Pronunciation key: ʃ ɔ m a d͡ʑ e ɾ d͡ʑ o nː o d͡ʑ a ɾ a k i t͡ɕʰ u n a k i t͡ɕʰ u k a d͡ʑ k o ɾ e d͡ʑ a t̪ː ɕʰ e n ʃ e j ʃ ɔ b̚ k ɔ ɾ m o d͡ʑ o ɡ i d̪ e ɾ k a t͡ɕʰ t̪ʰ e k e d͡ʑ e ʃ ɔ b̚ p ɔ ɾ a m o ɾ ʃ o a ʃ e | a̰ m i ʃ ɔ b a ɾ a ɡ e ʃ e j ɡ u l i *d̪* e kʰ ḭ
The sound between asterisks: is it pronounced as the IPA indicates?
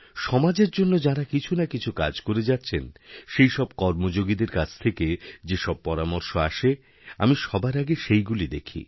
yes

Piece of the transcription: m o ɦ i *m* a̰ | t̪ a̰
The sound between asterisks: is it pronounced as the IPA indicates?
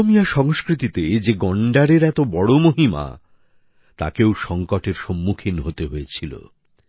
yes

